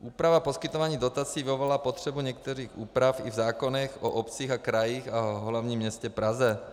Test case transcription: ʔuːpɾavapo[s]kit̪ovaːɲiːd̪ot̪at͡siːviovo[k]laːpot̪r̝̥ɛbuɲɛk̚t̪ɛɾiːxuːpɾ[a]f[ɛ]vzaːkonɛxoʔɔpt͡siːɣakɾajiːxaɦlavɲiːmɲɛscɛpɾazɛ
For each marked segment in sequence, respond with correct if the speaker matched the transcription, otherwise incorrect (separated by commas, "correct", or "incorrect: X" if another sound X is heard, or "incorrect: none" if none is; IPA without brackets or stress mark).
correct, incorrect: none, correct, incorrect: i